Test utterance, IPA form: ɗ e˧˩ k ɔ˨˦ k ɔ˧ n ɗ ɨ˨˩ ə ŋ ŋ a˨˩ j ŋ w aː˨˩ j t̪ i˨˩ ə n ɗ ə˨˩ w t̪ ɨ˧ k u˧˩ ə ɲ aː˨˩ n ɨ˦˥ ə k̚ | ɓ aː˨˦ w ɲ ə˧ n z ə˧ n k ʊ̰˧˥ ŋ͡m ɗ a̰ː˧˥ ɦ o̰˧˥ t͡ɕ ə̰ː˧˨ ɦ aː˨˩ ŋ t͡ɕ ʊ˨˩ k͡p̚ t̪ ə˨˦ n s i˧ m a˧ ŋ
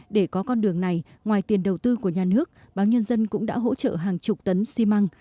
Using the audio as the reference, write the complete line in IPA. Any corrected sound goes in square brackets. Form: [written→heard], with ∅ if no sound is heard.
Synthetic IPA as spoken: ɗ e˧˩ k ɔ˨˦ k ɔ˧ n ɗ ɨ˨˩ ə ŋ [ŋ→n] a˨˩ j ŋ w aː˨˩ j t̪ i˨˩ ə n ɗ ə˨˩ w t̪ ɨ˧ k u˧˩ ə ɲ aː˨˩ n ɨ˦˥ ə k̚ | ɓ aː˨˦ w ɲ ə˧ n z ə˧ n k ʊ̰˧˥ ŋ͡m ɗ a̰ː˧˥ ɦ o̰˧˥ t͡ɕ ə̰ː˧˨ ɦ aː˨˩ ŋ t͡ɕ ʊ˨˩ k͡p̚ t̪ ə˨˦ n s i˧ m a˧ ŋ